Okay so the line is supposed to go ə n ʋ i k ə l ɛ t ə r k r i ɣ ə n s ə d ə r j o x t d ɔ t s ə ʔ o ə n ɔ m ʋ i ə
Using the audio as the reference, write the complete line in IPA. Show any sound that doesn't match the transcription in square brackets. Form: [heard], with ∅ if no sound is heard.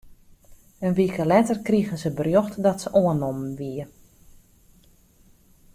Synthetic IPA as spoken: ə n ʋ i k ə l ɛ t ə r k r i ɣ ə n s ə [b] ə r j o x t d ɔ t s ə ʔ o ə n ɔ m ʋ i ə